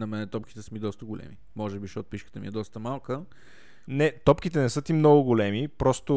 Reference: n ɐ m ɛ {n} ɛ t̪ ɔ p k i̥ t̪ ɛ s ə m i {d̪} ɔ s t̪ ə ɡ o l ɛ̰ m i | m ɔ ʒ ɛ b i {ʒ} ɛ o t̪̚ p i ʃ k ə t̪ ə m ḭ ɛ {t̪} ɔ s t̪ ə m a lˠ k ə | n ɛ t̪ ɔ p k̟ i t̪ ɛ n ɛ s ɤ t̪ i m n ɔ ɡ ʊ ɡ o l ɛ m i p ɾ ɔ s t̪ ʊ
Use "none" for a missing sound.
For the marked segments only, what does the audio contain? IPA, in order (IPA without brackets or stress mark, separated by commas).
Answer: n, d̪, ʃ, d̪